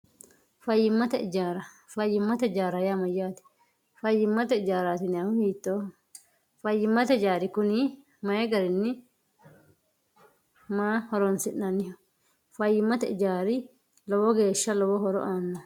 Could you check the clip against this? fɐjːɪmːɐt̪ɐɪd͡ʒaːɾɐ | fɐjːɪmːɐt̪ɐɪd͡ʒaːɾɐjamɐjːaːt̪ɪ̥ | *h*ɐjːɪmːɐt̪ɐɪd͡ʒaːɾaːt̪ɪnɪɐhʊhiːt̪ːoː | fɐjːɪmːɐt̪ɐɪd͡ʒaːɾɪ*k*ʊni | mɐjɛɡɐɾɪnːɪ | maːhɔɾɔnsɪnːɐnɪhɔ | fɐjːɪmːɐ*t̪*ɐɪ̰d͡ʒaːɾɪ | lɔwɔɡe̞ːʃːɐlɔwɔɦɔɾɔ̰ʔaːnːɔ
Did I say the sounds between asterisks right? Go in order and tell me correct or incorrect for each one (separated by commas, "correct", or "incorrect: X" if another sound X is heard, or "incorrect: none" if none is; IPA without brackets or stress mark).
incorrect: f, correct, correct